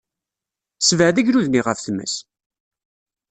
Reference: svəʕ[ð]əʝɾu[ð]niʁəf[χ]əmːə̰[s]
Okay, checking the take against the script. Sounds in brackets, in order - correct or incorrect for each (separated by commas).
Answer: correct, correct, incorrect, correct